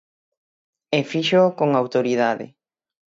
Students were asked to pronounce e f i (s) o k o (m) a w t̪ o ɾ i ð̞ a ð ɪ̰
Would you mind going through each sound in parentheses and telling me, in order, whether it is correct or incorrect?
incorrect, incorrect

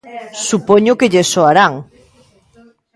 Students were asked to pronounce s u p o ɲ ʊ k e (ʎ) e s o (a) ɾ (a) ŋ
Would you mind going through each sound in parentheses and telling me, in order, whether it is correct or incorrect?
correct, correct, correct

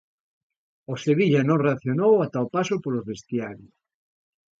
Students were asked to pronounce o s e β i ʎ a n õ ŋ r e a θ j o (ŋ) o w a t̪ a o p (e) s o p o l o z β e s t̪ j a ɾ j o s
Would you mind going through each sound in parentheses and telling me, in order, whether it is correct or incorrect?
incorrect, incorrect

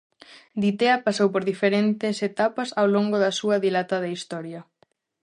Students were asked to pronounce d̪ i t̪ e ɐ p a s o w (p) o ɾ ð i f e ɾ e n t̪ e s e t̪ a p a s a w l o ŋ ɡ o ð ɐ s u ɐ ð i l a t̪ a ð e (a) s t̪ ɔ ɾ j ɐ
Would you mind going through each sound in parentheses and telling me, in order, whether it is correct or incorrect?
correct, incorrect

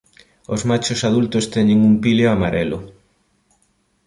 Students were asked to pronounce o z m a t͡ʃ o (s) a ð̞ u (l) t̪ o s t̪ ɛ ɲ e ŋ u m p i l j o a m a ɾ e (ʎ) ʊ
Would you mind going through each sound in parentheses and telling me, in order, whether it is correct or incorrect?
correct, correct, incorrect

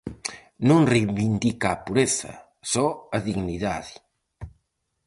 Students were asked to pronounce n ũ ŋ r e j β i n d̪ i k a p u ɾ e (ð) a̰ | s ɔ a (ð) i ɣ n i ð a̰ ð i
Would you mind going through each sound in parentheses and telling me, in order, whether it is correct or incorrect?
incorrect, correct

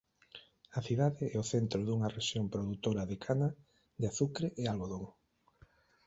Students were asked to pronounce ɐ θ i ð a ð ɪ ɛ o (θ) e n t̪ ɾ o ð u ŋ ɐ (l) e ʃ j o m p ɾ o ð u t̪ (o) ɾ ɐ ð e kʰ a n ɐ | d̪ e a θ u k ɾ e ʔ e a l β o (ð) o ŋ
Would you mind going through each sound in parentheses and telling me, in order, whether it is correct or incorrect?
correct, incorrect, correct, correct

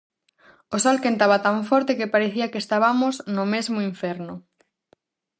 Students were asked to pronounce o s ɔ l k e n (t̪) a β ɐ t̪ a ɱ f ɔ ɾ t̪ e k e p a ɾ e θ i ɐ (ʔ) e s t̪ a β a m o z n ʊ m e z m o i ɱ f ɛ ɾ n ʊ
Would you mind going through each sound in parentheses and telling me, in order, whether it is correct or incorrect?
correct, incorrect

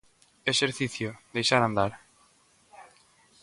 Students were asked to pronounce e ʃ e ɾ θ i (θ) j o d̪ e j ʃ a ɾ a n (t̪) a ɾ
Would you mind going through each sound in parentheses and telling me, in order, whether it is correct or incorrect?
correct, incorrect

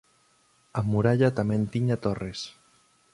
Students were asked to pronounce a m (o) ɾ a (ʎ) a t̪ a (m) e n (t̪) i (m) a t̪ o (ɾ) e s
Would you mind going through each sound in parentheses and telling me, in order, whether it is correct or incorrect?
incorrect, correct, correct, correct, incorrect, incorrect

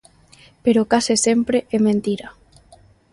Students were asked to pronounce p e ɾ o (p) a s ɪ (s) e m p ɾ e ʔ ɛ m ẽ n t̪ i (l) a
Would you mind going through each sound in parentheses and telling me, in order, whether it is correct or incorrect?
incorrect, correct, incorrect

